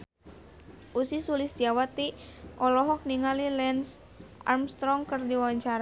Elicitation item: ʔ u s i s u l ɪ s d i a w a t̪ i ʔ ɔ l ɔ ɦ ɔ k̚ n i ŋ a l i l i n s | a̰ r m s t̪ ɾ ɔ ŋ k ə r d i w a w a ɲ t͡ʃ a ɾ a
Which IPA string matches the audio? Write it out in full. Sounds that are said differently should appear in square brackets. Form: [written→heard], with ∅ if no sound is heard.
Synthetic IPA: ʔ u s i s u l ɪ s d i a w a t̪ i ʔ ɔ l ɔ ɦ ɔ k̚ n i ŋ a l i l [i→ɛ] n s | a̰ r m s t̪ ɾ ɔ ŋ k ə r d i w a w a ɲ t͡ʃ a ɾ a